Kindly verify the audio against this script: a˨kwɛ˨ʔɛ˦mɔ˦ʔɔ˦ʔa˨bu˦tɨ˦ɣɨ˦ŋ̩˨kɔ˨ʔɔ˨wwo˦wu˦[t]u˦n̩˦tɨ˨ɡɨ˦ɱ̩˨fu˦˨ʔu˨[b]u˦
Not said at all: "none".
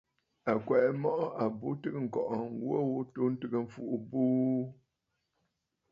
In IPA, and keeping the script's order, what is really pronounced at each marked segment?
t, b

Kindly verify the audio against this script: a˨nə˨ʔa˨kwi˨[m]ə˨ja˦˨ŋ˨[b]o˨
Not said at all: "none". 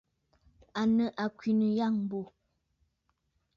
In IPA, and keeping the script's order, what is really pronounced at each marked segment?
n, b

